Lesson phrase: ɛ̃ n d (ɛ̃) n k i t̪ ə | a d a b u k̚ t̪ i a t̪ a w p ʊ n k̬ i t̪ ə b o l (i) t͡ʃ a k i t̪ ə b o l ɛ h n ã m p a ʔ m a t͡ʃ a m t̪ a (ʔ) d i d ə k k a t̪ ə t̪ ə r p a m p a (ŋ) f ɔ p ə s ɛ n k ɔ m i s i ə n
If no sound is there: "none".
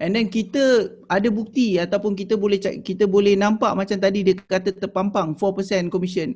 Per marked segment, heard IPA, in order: ɛ, ɛ, none, ŋ

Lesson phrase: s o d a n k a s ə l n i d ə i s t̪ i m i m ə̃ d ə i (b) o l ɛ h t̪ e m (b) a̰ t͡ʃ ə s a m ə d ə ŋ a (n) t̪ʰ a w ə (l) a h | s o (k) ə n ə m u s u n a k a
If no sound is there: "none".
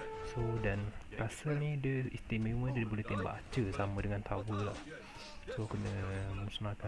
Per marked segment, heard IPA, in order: b, b, n, l, k

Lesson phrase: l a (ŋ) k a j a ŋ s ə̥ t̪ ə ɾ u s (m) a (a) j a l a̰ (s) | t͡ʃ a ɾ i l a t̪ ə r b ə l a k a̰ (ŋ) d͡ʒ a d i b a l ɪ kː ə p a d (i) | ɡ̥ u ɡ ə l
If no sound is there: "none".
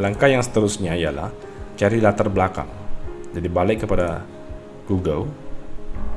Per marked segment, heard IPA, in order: ŋ, ɲ, i, h, ŋ, a

